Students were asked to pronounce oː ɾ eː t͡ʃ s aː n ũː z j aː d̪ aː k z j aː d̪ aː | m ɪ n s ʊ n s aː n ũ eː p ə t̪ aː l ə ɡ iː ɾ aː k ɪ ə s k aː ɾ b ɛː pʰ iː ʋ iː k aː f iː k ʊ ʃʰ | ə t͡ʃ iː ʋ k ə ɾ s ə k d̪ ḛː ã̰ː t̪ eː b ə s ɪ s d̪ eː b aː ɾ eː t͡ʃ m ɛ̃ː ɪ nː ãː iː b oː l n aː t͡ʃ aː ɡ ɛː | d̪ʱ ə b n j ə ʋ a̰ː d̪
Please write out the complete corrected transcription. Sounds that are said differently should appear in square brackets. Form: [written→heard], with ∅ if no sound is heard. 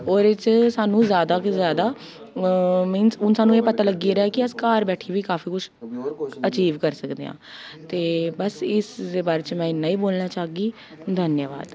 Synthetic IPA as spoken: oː ɾ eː t͡ʃ s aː n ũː z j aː d̪ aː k z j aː d̪ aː | m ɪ n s ʊ n s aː n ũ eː p ə t̪ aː l ə ɡ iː ɾ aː k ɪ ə s k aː ɾ b ɛː [pʰ→ʈʰ] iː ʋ iː k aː f iː k ʊ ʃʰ | ə t͡ʃ iː ʋ k ə ɾ s ə k d̪ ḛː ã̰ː t̪ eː b ə s ɪ s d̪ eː b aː ɾ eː t͡ʃ m ɛ̃ː ɪ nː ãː iː b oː l n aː t͡ʃ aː ɡ [ɛː→iː] | d̪ʱ ə [b→∅] n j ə ʋ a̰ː d̪